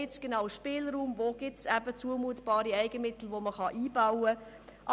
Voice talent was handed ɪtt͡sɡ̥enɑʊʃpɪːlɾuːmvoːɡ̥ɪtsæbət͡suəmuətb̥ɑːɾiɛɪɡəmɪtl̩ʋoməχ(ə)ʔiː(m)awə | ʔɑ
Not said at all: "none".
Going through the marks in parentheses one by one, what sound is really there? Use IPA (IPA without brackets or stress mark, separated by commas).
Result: ɑ, b